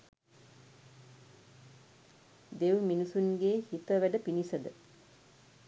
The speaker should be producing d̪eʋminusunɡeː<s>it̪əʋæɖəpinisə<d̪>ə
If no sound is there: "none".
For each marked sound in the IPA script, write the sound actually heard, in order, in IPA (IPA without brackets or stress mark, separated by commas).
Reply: h, d̪